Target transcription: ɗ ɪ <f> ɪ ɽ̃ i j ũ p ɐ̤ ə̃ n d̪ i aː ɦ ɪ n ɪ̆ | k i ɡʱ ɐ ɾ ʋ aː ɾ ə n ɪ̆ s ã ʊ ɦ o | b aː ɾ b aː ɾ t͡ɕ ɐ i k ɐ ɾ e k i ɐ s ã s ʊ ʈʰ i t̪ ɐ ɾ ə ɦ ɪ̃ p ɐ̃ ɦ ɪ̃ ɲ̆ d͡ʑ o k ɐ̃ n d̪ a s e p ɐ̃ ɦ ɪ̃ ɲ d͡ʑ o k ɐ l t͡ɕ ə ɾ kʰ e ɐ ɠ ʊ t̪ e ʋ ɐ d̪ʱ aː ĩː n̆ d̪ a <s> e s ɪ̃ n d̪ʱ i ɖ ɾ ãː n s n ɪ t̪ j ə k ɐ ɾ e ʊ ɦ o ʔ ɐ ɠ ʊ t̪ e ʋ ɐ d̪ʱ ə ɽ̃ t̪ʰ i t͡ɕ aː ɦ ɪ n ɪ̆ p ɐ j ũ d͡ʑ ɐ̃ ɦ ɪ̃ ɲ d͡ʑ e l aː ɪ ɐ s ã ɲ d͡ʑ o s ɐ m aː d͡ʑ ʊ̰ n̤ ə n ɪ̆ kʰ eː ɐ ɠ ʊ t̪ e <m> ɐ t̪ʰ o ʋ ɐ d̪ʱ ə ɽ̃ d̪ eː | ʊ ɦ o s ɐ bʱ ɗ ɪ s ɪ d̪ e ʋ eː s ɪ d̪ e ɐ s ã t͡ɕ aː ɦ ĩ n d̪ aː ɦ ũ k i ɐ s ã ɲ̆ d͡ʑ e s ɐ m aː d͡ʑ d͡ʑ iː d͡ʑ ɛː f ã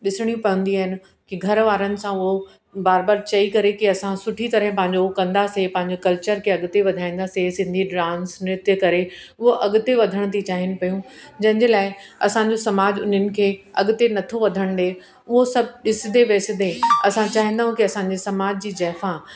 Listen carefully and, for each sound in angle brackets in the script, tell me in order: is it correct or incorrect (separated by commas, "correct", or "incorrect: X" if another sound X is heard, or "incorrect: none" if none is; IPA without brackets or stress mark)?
incorrect: s, correct, incorrect: n